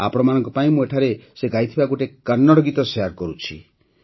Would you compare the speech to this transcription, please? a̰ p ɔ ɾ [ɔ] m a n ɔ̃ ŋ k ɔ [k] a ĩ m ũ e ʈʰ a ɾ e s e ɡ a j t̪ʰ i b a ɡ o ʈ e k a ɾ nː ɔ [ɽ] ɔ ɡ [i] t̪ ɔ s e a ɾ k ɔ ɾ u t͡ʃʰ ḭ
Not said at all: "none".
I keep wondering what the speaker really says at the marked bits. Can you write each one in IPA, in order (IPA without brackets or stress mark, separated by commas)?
ɔ, p, ɽ, i